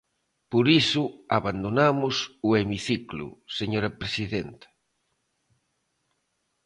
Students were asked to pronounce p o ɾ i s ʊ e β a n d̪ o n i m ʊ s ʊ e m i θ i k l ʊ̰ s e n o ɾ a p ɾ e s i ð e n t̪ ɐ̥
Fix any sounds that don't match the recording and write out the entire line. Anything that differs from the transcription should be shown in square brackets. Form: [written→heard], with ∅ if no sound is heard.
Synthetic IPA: p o ɾ i s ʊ [e→a] β a n d̪ o n [i→a] m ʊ s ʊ e m i θ i k l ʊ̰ s e [n→ɲ] o ɾ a p ɾ e s i ð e n t̪ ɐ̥